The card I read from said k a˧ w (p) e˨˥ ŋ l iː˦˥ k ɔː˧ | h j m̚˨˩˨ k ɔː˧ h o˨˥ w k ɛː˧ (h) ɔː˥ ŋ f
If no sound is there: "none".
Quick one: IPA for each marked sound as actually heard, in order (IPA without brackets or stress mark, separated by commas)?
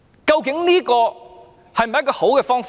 k, f